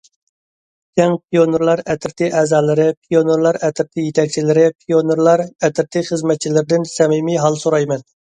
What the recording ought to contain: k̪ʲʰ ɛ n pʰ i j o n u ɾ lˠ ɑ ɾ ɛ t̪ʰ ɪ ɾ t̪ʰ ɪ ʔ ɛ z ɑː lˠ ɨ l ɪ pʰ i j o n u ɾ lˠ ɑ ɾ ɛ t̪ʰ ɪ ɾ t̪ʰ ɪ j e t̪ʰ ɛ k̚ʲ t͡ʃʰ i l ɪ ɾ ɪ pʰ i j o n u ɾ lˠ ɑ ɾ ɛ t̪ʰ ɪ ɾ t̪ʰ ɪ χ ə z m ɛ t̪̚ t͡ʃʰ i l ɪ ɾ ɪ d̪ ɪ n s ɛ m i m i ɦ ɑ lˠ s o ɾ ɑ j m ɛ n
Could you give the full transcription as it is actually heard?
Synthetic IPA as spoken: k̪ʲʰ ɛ ŋ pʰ i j o n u ɾ lˠ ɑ ɾ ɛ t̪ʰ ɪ ɾ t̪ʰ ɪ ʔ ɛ z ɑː lˠ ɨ ɾ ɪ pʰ i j o n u ɾ lˠ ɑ ɾ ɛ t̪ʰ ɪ ɾ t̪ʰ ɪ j e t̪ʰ ɛ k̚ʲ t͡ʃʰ i l ɪ ɾ ɪ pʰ i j o n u ɾ lˠ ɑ ɾ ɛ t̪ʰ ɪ ɾ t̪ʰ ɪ χ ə z m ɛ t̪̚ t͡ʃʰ i l ɪ ɾ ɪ d̪ ɪ n s ɛ m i m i ɦ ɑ lˠ s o ɾ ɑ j m ɛ n